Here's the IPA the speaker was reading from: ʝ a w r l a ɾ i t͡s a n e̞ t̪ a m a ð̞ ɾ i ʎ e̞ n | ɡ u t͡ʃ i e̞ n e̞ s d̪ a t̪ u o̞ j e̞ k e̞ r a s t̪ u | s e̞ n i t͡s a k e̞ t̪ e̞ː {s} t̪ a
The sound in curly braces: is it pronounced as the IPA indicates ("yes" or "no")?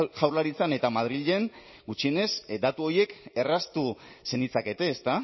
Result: yes